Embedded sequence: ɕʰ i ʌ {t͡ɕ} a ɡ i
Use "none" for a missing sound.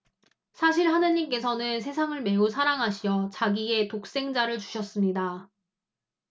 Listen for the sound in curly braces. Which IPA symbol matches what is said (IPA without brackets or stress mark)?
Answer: t͡ɕ